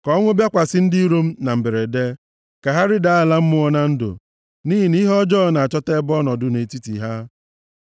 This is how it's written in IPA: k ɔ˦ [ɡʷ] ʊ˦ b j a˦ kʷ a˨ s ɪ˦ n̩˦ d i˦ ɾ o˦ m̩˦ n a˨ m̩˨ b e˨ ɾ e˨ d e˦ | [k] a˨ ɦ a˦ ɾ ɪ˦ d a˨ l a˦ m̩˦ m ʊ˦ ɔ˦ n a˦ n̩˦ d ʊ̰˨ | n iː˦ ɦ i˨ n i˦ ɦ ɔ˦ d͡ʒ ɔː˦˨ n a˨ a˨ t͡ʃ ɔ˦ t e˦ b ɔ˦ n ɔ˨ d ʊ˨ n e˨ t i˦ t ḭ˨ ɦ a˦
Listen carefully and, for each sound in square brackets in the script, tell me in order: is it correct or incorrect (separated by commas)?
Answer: incorrect, correct